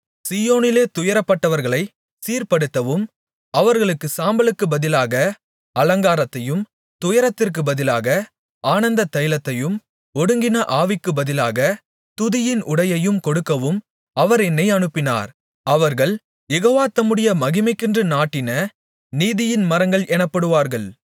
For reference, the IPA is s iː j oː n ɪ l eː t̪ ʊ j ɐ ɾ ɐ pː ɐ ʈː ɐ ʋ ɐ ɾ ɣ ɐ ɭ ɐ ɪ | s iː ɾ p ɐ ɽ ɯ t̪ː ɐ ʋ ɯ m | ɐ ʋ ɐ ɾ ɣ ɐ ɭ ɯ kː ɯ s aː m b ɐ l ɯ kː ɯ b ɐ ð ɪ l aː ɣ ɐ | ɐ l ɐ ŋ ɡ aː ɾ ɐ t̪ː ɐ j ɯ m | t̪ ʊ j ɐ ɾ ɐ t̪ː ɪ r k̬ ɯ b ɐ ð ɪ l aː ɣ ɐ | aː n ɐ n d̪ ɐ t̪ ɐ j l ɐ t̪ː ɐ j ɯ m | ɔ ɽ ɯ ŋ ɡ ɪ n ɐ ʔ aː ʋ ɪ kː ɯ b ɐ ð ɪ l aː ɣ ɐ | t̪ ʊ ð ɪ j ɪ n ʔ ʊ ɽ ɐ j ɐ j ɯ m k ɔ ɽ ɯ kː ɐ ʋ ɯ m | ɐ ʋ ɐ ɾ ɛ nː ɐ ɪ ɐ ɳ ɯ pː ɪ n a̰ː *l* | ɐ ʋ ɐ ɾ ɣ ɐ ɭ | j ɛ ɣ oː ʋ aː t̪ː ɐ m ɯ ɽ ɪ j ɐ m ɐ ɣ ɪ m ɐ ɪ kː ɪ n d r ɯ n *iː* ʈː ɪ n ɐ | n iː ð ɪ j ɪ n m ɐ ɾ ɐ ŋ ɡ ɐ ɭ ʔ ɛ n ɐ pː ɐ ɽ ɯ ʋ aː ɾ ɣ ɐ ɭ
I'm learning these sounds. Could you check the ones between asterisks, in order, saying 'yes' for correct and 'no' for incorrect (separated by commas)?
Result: no, no